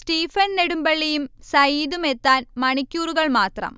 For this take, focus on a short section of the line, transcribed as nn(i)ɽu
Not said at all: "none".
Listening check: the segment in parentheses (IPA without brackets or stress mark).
e